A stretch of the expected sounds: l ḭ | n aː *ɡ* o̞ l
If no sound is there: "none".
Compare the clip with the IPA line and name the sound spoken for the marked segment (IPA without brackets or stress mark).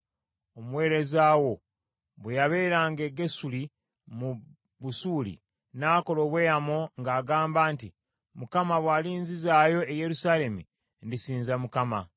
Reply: k